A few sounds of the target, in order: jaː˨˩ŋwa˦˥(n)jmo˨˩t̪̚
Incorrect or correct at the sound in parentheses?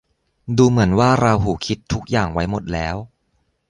incorrect: none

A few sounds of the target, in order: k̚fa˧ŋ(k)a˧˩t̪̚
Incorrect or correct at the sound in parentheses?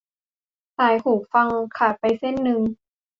incorrect: kʰ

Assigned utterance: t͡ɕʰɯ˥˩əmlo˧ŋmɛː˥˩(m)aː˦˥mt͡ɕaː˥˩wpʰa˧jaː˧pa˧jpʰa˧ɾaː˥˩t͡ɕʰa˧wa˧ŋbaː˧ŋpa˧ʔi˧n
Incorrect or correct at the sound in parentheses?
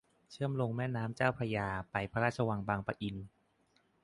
incorrect: n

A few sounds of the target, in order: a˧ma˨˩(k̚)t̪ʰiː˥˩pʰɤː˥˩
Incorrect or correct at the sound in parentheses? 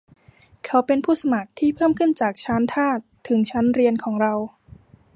correct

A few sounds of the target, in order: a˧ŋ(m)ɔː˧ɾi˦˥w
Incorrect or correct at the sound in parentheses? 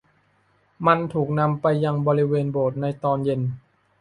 incorrect: b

